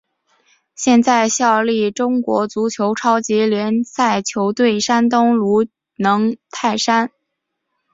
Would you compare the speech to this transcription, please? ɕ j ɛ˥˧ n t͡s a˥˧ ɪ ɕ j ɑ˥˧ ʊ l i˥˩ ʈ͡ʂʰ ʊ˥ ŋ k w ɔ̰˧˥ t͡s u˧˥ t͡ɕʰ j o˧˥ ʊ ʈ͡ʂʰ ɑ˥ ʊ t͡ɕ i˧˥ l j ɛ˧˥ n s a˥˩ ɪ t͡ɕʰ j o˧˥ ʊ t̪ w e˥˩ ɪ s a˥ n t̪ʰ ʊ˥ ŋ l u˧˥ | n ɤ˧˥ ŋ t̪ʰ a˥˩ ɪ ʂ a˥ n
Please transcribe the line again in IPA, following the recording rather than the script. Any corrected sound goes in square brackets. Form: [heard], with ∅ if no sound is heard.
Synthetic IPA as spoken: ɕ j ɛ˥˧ n t͡s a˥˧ ɪ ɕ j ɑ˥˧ ʊ l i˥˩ [ʈ͡ʂ] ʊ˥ ŋ k w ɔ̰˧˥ t͡s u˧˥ t͡ɕʰ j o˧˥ ʊ ʈ͡ʂʰ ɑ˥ ʊ t͡ɕ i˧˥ l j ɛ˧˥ n s a˥˩ ɪ t͡ɕʰ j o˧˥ ʊ t̪ w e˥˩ ɪ [ʂ] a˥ n [t̪] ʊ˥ ŋ l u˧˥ | n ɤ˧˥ ŋ t̪ʰ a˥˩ ɪ ʂ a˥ n

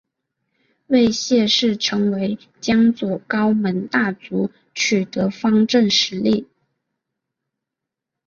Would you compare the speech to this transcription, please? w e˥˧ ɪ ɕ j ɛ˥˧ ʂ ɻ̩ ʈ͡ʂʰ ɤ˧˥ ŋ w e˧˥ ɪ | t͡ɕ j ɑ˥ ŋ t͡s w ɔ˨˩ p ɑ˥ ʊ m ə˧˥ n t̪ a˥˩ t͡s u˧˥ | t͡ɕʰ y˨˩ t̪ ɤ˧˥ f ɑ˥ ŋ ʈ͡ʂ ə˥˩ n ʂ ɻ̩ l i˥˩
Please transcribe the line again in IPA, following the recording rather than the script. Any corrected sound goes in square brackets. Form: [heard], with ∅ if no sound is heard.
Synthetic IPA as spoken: w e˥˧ ɪ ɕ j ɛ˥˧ ʂ ɻ̩ ʈ͡ʂʰ ɤ˧˥ ŋ w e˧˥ ɪ | t͡ɕ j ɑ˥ ŋ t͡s w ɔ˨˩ [k] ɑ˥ ʊ m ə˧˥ n t̪ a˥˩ t͡s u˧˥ | t͡ɕʰ y˨˩ t̪ ɤ˧˥ f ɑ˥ ŋ ʈ͡ʂ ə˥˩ n ʂ ɻ̩ l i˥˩

